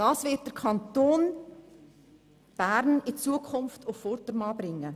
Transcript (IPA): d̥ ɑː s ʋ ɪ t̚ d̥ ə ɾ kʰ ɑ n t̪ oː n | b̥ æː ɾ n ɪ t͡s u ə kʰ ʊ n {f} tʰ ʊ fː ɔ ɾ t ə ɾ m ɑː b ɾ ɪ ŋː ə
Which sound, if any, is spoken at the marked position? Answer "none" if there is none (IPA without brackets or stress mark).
f